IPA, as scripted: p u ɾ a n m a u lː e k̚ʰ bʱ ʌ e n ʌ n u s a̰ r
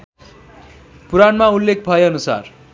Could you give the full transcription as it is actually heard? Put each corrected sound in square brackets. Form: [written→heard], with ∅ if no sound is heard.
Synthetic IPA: p u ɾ a n m a u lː e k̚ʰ bʱ ʌ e [n→∅] ʌ n u s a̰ r

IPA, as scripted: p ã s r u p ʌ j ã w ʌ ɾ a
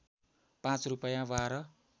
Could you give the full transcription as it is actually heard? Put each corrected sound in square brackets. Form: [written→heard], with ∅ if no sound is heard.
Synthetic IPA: p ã [s→t͡s] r u p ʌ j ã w [ʌ→a] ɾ [a→ʌ]

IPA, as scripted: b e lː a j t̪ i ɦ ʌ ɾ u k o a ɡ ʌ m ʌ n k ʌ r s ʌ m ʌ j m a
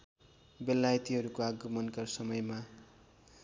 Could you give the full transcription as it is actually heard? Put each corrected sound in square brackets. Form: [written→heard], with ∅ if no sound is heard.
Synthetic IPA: b e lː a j t̪ i ɦ ʌ ɾ u k o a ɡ ʌ m ʌ n k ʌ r s ʌ m ʌ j m a

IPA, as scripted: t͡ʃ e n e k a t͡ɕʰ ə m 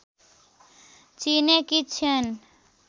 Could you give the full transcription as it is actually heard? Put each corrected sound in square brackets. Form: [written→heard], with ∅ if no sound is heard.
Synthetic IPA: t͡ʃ [e→i] n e k [a→i] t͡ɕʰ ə [m→n]

